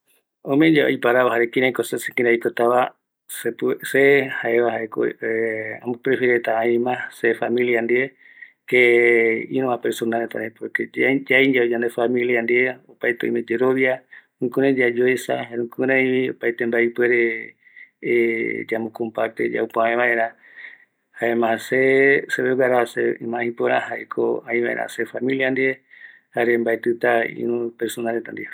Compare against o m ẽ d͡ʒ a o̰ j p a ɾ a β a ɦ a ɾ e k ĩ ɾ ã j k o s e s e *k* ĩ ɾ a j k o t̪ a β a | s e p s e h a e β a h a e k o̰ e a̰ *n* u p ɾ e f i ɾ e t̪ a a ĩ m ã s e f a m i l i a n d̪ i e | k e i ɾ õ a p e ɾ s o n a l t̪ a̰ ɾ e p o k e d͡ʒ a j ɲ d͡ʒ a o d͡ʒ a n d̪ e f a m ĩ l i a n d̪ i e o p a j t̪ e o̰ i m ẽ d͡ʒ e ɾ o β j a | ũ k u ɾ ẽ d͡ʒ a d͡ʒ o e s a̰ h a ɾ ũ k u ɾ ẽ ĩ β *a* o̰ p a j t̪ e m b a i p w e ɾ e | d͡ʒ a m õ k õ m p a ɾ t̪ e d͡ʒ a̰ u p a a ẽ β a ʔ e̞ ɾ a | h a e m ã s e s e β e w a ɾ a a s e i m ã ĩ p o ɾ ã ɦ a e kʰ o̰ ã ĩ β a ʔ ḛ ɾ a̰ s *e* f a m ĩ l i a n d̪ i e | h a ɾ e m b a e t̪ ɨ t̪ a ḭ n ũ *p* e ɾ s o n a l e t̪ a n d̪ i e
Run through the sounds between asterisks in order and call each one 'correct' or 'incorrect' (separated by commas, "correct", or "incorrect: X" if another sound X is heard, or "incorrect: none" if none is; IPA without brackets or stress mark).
correct, incorrect: m, incorrect: i, correct, correct